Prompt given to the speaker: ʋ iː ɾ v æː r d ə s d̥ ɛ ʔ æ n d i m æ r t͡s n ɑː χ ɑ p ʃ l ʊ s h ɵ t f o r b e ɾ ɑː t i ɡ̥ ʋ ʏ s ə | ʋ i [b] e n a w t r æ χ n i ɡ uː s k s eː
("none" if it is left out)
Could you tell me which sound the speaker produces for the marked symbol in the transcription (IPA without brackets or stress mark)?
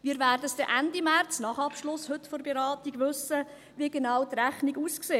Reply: ɡ